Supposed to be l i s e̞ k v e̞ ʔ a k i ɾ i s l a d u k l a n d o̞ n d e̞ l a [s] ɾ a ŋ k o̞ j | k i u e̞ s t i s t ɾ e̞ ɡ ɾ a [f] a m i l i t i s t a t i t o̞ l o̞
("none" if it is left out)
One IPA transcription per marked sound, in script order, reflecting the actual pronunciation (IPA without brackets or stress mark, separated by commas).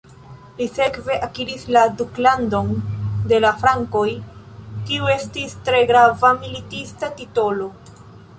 f, v